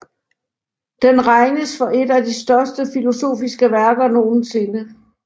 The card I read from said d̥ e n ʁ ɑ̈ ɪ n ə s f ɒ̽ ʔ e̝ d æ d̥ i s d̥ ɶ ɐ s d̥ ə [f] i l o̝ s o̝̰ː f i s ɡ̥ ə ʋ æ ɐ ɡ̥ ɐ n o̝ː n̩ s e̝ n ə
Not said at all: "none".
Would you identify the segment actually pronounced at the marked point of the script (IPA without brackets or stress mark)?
f